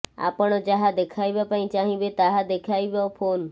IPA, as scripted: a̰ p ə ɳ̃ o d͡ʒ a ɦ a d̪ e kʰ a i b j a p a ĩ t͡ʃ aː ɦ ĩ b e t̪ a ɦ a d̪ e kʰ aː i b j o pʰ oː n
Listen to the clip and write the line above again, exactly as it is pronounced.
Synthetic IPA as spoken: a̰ p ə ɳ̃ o d͡ʒ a ɦ a d̪ e kʰ a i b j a p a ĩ t͡ʃ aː ɦ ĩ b e t̪ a ɦ a d̪ e kʰ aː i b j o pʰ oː n